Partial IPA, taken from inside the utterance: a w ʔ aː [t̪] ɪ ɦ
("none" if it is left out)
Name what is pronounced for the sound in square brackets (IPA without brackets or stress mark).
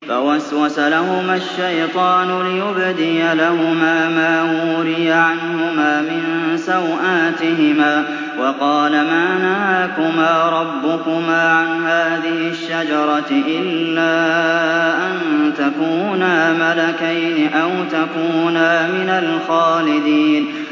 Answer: t̪